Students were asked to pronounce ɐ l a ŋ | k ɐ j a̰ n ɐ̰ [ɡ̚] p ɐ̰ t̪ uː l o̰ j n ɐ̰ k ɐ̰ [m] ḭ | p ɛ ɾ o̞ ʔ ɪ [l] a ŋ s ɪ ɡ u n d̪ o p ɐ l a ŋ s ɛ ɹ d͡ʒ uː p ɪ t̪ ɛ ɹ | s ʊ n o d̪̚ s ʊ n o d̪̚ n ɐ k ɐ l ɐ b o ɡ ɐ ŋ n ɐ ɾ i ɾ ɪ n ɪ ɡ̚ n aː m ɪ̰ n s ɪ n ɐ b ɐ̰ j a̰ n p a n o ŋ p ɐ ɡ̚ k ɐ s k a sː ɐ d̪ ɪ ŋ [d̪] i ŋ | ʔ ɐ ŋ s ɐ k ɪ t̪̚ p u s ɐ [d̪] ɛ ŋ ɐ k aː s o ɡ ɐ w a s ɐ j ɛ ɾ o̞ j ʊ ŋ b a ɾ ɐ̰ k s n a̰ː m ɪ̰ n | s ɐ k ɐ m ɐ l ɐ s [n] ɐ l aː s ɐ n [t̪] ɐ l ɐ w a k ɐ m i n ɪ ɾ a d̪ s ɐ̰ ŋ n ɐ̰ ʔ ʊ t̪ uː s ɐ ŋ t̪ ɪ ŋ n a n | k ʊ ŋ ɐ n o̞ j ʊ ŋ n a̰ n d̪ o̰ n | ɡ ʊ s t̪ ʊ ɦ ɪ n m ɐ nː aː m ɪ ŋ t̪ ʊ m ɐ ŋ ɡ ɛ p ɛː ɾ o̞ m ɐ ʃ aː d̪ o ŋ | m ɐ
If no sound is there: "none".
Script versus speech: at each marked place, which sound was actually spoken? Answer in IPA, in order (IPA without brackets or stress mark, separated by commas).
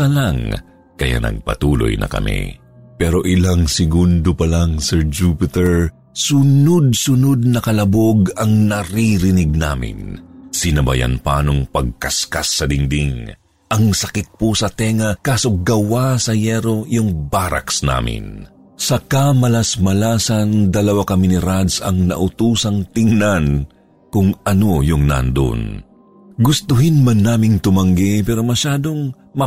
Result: ɡ̚, m, l, d̪, t̪, m, d̪